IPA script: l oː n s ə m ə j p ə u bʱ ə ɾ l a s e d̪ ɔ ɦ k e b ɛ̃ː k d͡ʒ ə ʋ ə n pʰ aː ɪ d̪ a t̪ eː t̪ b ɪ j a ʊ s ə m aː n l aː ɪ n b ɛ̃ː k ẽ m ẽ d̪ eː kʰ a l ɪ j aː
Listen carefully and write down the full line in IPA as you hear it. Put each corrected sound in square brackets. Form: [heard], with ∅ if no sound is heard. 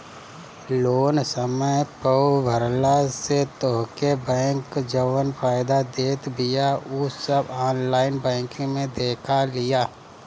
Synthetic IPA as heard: l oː n s ə m ə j p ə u bʱ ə ɾ l a s e [t̪] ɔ ɦ k e b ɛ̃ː k d͡ʒ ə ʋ ə n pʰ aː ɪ d̪ a [d̪] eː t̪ b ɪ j a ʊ s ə [b] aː n l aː ɪ n b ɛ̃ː k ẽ m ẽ d̪ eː kʰ a l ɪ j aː